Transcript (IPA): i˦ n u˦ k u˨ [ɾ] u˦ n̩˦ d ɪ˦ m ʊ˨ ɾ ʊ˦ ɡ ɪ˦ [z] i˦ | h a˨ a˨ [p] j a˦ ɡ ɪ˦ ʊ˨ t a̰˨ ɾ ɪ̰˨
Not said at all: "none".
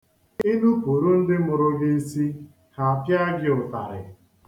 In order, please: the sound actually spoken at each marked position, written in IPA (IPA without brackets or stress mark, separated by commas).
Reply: ɾ, s, p